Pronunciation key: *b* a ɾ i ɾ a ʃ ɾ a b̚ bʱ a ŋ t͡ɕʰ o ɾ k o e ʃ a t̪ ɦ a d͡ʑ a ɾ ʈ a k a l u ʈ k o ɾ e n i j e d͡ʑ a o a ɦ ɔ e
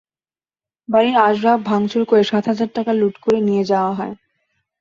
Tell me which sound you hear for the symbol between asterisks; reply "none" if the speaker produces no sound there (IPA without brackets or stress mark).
b